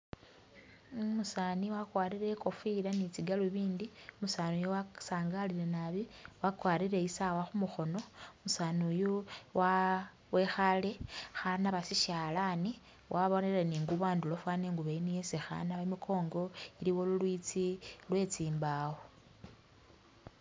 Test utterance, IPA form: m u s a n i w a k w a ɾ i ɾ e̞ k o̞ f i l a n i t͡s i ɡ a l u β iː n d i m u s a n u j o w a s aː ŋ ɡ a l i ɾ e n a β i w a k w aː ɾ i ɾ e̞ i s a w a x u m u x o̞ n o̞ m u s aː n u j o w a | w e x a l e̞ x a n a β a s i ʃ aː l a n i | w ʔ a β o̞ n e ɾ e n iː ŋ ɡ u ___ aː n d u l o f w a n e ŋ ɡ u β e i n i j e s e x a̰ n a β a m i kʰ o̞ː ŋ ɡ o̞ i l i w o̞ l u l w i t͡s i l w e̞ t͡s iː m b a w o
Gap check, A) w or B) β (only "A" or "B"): B